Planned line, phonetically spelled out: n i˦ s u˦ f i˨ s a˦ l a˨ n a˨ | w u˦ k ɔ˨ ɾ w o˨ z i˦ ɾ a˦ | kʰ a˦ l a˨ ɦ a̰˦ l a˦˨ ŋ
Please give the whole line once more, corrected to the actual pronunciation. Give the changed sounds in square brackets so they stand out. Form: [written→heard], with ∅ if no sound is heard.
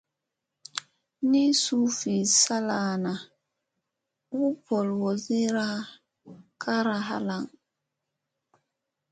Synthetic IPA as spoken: n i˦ s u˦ f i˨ s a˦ l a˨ n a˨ | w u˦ [k→p] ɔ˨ [ɾ→l] w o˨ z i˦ ɾ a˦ | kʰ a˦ [l→ɾ] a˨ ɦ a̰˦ l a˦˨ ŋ